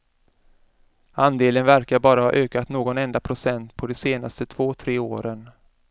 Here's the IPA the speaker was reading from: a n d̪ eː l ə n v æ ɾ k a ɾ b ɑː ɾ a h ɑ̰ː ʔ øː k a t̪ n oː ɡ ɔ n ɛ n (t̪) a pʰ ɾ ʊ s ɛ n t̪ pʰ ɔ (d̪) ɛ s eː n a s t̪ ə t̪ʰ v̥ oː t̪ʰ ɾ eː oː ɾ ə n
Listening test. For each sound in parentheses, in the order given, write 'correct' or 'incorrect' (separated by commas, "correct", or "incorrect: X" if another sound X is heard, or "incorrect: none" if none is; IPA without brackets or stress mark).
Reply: incorrect: d̪, correct